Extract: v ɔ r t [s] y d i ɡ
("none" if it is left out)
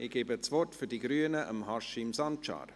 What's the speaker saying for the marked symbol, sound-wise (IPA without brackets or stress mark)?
f